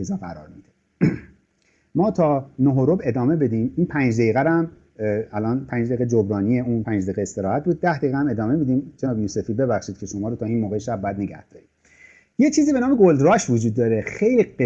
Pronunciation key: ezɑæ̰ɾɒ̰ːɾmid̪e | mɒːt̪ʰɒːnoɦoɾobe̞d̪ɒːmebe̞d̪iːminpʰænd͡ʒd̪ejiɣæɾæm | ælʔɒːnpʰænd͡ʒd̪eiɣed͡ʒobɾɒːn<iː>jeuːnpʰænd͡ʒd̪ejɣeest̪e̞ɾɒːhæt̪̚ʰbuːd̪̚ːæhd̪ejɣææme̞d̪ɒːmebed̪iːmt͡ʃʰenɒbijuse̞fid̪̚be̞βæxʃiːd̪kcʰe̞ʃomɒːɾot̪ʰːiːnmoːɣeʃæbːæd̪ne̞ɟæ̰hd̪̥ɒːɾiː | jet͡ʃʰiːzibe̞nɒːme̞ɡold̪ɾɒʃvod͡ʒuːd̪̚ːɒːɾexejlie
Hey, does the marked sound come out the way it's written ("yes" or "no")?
no